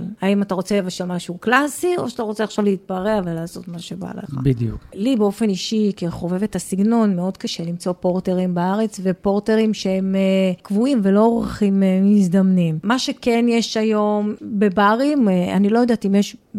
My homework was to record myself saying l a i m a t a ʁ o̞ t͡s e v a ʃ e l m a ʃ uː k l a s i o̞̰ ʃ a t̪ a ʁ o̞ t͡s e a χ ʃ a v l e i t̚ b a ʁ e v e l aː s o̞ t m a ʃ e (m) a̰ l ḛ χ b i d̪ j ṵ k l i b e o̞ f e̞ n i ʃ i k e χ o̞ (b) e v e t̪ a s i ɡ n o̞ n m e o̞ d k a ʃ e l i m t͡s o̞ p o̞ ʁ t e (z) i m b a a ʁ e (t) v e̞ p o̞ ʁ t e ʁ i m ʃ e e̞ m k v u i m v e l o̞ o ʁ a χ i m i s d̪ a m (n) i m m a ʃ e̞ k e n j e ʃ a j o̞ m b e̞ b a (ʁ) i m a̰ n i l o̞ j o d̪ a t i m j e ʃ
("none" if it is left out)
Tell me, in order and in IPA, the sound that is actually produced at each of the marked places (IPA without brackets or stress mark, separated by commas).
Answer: b, v, ʁ, t͡s, n, ʁ